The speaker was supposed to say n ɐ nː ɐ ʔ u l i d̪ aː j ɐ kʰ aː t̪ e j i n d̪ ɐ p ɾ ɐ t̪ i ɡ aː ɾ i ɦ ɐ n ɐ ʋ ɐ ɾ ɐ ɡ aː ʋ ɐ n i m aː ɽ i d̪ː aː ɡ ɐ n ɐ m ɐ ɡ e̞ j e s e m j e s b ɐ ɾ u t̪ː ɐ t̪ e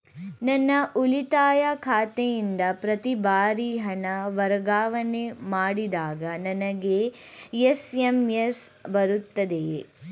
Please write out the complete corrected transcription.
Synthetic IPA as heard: n ɐ nː ɐ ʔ u l i t̪ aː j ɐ kʰ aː t̪ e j i n d̪ ɐ p ɾ ɐ t̪ i b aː ɾ i ɦ ɐ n ɐ ʋ ɐ ɾ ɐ ɡ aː ʋ ɐ n e m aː ɽ i d̪ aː ɡ ɐ n ɐ n ɐ ɡ e̞ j e s e m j e s b ɐ ɾ u t̪ː ɐ d̪ e